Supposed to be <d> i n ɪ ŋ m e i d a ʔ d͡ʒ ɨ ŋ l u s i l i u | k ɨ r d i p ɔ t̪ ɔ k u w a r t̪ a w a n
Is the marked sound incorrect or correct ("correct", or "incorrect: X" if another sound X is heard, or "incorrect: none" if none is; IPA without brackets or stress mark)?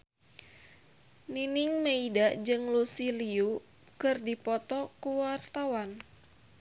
incorrect: n